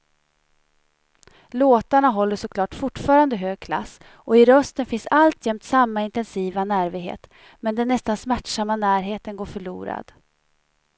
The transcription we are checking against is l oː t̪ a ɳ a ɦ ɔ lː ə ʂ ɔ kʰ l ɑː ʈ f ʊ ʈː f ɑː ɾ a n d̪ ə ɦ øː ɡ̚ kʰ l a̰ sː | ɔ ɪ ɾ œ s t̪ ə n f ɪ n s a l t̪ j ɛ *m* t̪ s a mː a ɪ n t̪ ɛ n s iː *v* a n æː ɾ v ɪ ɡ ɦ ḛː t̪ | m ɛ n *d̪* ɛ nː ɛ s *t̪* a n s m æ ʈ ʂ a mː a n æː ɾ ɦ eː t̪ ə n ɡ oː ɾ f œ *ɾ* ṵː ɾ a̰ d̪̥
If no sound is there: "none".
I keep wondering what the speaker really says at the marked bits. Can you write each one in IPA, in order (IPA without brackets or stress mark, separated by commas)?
m, v, d̪, t̪, ɭ